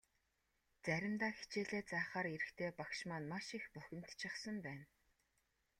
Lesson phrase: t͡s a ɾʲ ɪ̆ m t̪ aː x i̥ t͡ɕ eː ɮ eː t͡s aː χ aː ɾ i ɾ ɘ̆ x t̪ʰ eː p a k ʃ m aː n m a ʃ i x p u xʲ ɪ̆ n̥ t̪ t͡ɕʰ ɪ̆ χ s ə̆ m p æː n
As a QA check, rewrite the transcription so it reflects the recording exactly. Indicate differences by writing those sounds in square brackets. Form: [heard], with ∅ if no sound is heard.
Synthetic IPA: t͡s [æ] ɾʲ ɪ̆ m t̪ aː x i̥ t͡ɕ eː ɮ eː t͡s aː χ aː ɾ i ɾ ɘ̆ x t̪ʰ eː p a k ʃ m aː n m a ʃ i x p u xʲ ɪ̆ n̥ t̪ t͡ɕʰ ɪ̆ χ s ə̆ m p æː n

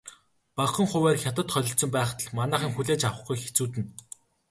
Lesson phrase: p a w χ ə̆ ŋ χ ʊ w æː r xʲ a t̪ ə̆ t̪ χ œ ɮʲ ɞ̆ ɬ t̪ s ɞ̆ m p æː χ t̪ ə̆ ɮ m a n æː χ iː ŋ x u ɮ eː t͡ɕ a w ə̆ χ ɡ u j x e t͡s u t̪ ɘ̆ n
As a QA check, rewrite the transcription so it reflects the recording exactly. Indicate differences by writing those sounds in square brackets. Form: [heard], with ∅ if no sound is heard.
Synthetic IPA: p a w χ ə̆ ŋ χ ʊ w æː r xʲ a t̪ ə̆ t̪ χ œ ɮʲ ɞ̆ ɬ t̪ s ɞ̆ m p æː χ t̪ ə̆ ɮ m a n æː χ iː ŋ x u ɮ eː t͡ɕ a w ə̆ χ ɡ u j x e t͡s [uː] t̪ ɘ̆ n

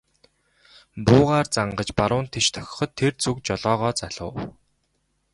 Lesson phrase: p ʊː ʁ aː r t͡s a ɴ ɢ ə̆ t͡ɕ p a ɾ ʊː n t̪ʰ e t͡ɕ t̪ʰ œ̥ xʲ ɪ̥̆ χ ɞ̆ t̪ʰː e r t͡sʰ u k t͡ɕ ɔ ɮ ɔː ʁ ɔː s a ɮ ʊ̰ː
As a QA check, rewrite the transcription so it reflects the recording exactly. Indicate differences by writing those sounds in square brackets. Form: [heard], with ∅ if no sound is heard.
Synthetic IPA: p ʊː ʁ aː r t͡s a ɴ ɢ ə̆ t͡ɕ p a ɾ ʊː n t̪ʰ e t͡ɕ t̪ʰ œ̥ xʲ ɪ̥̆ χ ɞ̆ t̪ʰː e r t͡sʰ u k t͡ɕ ɔ ɮ ɔː ʁ ɔː [t͡s] a ɮ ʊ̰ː

